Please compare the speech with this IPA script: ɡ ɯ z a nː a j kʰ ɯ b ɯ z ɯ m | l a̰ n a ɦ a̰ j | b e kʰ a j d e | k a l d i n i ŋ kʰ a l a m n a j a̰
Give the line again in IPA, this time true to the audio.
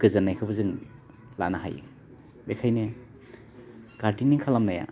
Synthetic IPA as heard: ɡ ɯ z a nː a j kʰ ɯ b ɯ z ɯ ŋ | l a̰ n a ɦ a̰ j | b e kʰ a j n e | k a ɾ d i n i ŋ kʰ a l a m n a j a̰